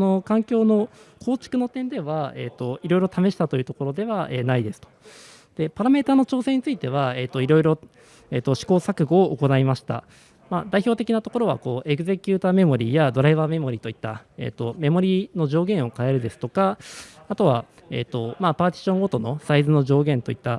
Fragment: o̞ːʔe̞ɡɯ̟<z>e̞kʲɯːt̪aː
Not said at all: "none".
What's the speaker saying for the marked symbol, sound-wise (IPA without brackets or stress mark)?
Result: z